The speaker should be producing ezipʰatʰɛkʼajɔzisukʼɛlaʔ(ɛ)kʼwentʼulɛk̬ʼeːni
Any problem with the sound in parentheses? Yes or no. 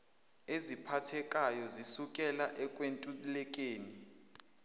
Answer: no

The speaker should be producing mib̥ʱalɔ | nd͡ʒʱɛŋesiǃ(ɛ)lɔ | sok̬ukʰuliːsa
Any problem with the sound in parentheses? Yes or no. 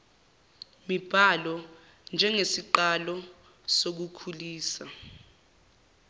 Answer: yes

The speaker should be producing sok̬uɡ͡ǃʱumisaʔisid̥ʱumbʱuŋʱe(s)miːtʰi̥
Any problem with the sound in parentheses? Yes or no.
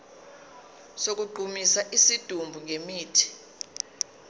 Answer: yes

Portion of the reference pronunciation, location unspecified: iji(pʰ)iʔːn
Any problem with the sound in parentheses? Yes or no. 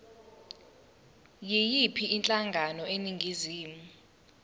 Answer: no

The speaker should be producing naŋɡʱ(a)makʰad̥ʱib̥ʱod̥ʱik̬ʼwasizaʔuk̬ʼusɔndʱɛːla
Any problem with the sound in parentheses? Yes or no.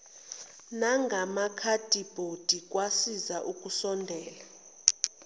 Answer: no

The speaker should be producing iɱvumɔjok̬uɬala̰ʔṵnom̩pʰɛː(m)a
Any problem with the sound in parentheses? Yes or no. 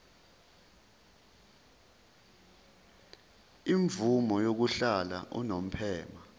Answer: no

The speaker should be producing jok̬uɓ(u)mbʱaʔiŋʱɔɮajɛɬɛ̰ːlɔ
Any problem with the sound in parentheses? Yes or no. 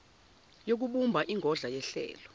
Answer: no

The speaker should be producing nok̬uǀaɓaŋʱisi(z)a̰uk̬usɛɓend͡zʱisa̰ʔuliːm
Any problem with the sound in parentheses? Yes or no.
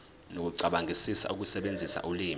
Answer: yes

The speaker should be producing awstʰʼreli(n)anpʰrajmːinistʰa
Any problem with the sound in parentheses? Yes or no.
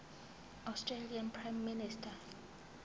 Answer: yes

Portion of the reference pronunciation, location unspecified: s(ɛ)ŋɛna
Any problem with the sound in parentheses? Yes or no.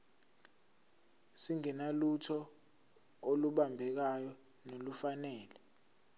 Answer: yes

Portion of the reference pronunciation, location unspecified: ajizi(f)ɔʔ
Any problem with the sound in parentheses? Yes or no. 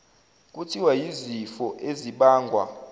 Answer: no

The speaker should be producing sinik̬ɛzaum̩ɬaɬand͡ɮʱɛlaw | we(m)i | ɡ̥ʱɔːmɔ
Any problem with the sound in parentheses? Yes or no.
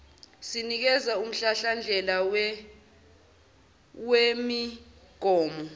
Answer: no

